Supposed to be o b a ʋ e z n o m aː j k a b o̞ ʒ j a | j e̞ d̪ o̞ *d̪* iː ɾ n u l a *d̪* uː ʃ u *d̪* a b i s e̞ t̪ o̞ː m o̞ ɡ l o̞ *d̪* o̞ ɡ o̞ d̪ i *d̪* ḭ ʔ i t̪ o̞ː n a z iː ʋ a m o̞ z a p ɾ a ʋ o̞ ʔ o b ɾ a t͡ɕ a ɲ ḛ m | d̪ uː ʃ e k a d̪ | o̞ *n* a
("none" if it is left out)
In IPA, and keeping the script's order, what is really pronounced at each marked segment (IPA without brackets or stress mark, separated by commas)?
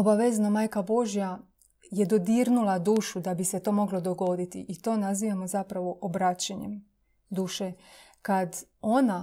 d̪, d̪, d̪, d̪, t̪, n